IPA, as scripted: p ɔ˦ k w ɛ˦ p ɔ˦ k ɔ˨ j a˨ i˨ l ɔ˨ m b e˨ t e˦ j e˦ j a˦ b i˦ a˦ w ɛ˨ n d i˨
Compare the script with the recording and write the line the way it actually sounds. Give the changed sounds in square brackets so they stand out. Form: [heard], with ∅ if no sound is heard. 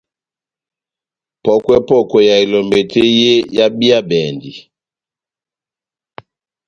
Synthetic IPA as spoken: p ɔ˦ k w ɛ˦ p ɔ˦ k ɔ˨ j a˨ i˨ l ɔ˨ m b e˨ t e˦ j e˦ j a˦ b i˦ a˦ [b] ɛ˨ n d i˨